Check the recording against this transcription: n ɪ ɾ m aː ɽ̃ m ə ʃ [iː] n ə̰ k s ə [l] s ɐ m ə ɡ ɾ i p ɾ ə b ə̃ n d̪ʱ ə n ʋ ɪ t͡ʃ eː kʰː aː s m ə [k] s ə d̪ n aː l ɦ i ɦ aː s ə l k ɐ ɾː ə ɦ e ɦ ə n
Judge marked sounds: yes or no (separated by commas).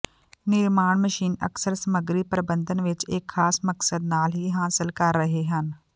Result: yes, no, yes